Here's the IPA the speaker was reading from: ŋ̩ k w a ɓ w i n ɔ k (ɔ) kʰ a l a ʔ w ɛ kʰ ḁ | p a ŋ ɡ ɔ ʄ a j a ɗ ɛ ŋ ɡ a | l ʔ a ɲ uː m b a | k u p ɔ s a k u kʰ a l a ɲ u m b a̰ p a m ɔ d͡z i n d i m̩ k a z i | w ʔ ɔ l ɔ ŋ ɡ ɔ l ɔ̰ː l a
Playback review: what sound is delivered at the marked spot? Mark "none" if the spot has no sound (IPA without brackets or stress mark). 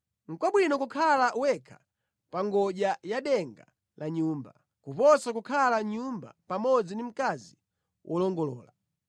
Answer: u